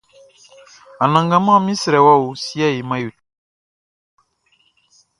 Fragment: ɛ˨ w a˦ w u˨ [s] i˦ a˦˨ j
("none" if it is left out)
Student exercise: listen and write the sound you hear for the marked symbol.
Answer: s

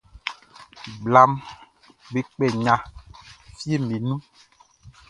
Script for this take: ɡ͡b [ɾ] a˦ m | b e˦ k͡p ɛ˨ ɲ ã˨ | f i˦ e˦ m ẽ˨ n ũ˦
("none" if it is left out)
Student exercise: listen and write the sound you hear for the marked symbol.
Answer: l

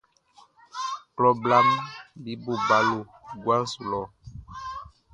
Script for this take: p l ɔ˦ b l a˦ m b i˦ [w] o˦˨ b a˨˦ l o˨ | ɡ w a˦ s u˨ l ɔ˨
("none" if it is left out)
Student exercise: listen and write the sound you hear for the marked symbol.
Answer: b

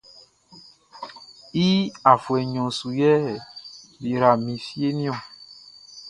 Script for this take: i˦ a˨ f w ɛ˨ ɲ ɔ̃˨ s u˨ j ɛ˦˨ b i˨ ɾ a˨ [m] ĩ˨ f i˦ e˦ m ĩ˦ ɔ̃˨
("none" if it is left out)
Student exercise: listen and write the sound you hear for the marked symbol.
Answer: m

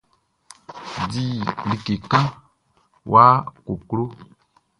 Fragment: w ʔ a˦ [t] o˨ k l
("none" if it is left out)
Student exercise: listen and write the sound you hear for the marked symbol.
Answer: k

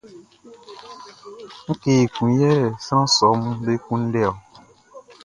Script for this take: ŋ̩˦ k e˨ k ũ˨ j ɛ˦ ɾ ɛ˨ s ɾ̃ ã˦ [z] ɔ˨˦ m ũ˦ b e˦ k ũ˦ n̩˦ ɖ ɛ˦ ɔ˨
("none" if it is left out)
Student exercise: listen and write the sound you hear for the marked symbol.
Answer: s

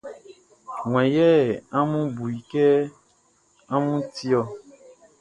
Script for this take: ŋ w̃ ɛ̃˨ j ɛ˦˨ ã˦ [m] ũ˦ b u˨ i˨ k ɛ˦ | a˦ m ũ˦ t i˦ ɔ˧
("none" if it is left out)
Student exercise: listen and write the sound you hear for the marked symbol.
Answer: m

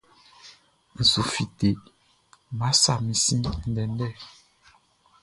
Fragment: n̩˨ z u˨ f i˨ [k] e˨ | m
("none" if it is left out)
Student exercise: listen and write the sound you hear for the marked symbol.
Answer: t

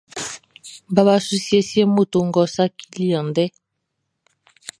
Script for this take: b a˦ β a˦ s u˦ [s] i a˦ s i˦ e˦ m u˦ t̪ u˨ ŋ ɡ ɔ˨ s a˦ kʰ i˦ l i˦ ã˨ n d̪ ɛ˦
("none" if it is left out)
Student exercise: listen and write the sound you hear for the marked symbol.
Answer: s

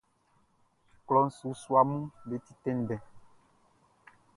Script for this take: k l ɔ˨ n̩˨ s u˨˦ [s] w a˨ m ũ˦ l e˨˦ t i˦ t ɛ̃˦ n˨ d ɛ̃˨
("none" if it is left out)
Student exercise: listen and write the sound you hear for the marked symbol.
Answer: s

